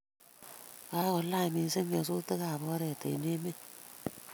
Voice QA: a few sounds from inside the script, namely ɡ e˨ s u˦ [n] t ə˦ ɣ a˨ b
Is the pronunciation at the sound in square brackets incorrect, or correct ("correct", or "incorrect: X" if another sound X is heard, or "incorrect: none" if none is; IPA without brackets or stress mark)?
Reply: incorrect: none